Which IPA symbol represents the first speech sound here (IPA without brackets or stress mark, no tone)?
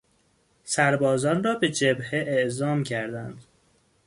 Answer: s